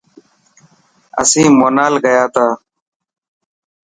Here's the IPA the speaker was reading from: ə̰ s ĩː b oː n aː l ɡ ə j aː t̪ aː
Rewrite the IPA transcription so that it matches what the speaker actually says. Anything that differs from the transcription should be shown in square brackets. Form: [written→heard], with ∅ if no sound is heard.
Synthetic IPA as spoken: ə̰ s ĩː [b→m] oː n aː l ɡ ə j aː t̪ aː